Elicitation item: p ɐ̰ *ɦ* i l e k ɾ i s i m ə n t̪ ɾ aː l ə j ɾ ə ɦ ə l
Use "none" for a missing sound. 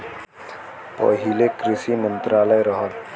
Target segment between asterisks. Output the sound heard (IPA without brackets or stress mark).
ɦ